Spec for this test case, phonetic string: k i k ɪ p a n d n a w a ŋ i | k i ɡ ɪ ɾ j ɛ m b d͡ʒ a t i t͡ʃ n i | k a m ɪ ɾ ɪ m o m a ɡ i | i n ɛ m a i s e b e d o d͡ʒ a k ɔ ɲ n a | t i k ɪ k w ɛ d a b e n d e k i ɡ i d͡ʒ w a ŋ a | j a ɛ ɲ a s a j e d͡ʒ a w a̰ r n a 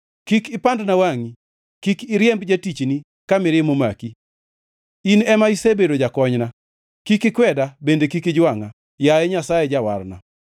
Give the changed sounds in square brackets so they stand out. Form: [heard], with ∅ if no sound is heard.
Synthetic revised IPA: k i k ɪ p a n d n a w a ŋ i | k i [k] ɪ ɾ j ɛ m b d͡ʒ a t i t͡ʃ n i | k a m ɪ ɾ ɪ m o m a [k] i | i n ɛ m a i s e b e d o d͡ʒ a k ɔ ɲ n a | [k] i k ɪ k w ɛ d a b e n d e k i [k] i d͡ʒ w a ŋ a | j a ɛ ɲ a s a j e d͡ʒ a w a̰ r n a